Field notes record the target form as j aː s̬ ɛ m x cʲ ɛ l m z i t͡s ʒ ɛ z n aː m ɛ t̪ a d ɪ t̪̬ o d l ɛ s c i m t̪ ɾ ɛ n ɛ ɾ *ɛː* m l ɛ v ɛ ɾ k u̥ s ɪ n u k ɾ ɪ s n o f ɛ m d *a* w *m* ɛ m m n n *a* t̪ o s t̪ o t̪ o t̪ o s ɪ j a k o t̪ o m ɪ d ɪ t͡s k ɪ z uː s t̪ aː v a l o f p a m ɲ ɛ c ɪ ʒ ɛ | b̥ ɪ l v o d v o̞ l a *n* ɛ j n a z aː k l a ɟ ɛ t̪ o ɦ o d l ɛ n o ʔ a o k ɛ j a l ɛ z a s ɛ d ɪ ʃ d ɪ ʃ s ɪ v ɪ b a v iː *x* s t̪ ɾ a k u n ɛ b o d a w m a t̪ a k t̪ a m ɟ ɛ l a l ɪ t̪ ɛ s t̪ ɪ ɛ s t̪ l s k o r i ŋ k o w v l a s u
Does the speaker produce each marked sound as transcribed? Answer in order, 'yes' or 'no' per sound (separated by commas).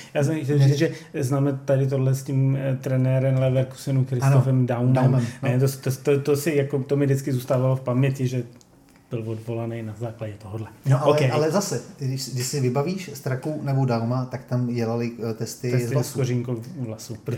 no, yes, yes, no, yes, no